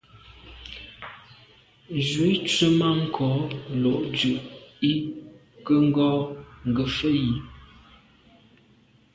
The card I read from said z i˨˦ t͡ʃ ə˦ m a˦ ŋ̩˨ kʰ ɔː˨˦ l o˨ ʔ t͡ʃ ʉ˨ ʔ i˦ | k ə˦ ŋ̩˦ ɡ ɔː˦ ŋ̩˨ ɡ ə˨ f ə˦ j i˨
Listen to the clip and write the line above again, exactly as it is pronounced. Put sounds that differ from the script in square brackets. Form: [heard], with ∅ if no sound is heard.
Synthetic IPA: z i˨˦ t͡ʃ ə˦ m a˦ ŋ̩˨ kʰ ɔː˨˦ l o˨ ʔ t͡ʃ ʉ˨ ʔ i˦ | k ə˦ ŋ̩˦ ɡ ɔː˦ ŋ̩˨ ɡ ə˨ f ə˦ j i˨